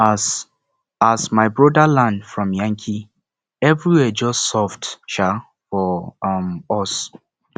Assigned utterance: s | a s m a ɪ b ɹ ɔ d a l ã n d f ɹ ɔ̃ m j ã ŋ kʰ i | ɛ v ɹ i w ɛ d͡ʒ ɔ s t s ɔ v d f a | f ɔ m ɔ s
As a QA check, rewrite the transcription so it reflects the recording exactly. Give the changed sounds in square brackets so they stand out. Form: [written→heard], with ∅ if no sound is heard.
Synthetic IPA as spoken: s | a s m a ɪ b ɹ ɔ d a l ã n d f ɹ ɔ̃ m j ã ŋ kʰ i | ɛ v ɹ i w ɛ d͡ʒ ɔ s t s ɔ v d [f→ʃ] a | f ɔ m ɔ s

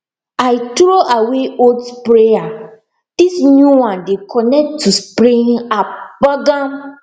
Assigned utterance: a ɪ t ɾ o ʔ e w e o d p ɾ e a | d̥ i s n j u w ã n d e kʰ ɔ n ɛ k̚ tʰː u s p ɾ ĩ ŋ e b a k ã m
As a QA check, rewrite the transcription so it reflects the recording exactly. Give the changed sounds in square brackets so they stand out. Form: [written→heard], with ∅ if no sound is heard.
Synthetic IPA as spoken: a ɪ t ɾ o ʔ [e→a] w e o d p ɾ e a | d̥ i s n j u w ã n d e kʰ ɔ n ɛ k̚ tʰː u s p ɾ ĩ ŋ [e→a] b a [k→ɡ] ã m

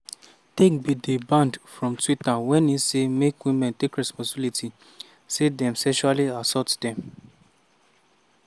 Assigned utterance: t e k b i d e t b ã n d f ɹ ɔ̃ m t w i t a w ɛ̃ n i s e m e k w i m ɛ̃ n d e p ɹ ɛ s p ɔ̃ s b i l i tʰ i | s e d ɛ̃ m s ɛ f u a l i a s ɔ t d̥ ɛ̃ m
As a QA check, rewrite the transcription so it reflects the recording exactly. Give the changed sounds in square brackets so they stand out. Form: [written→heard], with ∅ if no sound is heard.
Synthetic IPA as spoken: t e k b i d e [t→∅] b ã n d f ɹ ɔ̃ m t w i t a w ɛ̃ n i s e m e k w i m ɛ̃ n [d→t] e [p→k] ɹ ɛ s p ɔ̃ s b i l i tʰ i | s e d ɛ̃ m s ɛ [f→ʃ] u a l i a s ɔ t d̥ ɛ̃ m

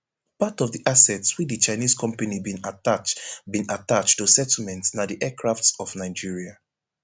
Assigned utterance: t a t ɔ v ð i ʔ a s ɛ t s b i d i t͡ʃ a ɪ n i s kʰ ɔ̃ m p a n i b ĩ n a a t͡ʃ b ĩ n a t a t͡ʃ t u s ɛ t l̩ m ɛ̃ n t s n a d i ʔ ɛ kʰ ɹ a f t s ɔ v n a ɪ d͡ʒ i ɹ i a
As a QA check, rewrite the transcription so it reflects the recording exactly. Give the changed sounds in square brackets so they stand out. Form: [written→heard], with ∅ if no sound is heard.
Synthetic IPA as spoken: [t→p] a t ɔ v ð i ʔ a s ɛ t s [b→w] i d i t͡ʃ a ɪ n i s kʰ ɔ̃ m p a n i b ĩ n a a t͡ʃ b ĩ n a t a t͡ʃ t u s ɛ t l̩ m ɛ̃ n t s n a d i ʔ ɛ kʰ ɹ a f t s ɔ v n a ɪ d͡ʒ i ɹ i a

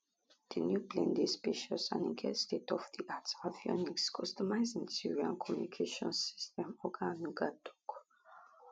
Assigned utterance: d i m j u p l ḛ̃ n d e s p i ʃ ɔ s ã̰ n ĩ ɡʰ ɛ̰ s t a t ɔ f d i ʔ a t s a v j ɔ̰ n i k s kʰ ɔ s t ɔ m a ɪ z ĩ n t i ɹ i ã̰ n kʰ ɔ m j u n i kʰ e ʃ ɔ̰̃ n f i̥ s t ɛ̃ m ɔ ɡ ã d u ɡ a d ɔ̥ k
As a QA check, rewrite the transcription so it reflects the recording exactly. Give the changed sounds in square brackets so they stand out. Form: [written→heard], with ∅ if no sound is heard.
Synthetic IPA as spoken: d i [m→n] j u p l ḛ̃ n d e s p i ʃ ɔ s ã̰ n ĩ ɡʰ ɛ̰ s t [a→e] t ɔ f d i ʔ a t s a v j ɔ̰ n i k s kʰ ɔ s t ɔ m a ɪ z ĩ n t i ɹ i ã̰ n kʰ ɔ m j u n i kʰ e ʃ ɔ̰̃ n [f→s] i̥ s t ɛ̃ m ɔ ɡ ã [d→n] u ɡ a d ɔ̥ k

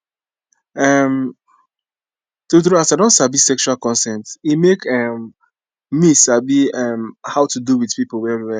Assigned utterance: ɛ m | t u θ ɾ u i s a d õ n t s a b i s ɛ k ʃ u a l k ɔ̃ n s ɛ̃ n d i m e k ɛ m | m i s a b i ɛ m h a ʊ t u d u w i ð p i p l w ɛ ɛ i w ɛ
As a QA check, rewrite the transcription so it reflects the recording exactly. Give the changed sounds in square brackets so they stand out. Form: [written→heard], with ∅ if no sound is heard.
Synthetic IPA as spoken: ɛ m | t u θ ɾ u [i→a] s a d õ n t s a b i s ɛ k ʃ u a l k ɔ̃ n s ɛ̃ n [d→t] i m e k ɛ m | m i s a b i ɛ m h a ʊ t u d u w i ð p i p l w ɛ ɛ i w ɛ

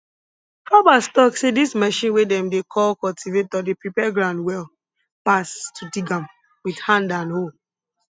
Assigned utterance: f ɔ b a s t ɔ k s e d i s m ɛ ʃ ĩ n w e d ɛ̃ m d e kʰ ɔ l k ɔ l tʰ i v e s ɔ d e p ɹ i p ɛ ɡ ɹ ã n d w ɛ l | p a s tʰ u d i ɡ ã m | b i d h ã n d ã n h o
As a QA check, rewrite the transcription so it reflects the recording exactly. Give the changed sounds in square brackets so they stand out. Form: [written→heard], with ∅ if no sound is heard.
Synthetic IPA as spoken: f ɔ b a s t ɔ k s e d i s m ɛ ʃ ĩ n w e d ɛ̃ m d e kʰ ɔ l k ɔ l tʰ i v e [s→t] ɔ d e p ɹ i p ɛ ɡ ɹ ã n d w ɛ l | p a s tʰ u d i ɡ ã m | [b→w] i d h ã n d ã n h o

